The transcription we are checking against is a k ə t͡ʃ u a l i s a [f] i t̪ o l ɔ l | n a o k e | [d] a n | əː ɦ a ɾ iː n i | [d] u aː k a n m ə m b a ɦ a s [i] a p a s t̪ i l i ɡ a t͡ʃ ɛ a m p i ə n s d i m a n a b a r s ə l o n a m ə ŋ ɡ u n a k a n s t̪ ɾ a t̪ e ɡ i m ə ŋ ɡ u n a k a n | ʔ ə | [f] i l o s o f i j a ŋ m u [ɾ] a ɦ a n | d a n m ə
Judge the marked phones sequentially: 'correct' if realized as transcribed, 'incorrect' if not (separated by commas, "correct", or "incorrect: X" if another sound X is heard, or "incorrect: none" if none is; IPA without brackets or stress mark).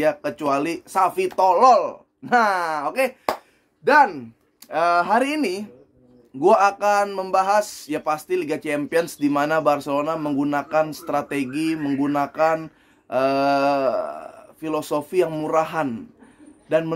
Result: correct, correct, incorrect: ɡ, incorrect: j, correct, correct